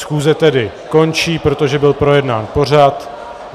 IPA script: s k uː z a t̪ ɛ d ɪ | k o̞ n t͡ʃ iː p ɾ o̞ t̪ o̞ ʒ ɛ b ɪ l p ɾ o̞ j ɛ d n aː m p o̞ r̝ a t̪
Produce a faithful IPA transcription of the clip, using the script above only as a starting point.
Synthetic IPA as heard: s x uː z ɛ t̪ ɛ d ɪ | k o̞ n t͡ʃ iː p ɾ o̞ t̪ o̞ ʒ ɛ b ɪ l p ɾ o̞ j ɛ d n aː n p o̞ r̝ a t̪